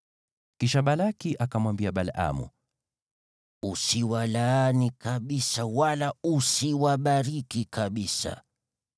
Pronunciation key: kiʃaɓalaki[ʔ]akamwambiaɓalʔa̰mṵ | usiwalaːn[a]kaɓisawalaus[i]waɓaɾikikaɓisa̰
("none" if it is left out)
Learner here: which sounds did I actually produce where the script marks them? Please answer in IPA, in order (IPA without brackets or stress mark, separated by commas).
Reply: ʔ, i, i